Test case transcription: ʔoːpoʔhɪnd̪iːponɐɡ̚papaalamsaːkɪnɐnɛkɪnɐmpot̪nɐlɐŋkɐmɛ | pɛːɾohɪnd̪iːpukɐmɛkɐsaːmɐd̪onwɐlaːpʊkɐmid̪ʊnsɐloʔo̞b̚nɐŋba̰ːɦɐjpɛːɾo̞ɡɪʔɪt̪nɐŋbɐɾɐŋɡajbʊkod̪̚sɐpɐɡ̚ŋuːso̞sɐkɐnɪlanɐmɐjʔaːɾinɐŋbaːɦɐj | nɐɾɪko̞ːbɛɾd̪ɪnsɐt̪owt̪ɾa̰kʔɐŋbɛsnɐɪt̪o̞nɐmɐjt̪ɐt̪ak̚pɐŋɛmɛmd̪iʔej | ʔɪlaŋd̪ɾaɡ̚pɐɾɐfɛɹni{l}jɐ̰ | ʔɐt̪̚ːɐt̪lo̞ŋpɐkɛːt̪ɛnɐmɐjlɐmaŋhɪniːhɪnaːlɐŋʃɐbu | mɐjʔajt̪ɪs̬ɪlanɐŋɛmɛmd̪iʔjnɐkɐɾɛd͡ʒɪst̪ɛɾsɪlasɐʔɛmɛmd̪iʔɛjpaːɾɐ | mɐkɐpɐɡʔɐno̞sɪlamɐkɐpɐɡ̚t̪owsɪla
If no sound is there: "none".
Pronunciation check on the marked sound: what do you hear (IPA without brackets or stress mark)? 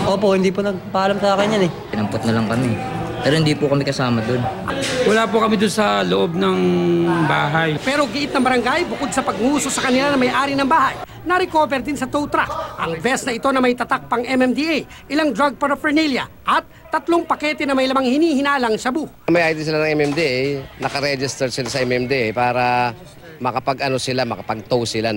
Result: l